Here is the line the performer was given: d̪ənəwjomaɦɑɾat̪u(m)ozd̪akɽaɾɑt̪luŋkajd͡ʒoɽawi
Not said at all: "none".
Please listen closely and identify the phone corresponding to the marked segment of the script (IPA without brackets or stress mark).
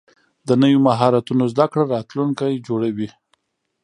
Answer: n